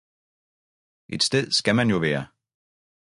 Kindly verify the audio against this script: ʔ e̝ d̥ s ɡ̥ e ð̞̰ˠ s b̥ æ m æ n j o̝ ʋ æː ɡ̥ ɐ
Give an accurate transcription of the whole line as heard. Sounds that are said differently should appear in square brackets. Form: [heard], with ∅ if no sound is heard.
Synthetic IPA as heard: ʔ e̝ d̥ s [d̥] e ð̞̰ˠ s [ɡ̥] æ m æ n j o̝ ʋ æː [∅] ɐ

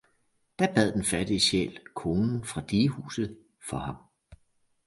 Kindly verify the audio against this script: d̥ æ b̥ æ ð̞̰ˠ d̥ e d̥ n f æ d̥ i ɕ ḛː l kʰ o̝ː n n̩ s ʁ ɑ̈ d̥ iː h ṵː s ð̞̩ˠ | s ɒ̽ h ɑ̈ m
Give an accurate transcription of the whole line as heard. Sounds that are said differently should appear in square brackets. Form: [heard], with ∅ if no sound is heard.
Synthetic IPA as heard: d̥ æ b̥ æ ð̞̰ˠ d̥ e [∅] n f æ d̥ i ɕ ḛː l kʰ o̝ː n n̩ [f] ʁ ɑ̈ d̥ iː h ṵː s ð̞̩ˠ | [f] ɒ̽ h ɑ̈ m

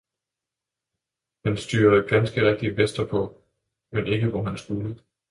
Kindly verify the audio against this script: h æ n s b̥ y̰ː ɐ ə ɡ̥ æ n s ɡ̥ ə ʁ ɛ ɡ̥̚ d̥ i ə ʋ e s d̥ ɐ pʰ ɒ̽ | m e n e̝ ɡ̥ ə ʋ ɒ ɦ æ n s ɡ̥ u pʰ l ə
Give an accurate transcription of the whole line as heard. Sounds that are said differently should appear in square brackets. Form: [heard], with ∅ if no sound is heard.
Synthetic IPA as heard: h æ n s [d̥] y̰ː ɐ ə ɡ̥ æ n s ɡ̥ ə ʁ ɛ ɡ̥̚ d̥ i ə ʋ e s d̥ ɐ pʰ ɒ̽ | m e n e̝ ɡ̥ ə ʋ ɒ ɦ æ n s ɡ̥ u [∅] l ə

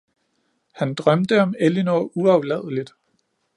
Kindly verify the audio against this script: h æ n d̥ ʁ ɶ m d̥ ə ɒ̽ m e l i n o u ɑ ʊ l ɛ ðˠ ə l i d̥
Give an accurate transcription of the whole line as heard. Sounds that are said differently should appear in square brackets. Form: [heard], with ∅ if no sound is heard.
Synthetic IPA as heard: h æ n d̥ ʁ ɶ m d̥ ə ɒ̽ m e l i n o u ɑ ʊ l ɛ ðˠ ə l i d̥

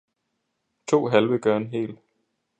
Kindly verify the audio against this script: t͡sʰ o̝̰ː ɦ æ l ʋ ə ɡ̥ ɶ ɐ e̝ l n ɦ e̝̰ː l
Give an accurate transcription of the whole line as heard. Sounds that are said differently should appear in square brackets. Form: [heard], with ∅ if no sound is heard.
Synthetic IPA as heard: t͡sʰ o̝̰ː ɦ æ l ʋ ə ɡ̥ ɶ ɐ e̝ [∅] n ɦ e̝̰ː l

